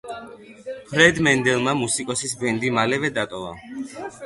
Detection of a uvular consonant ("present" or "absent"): absent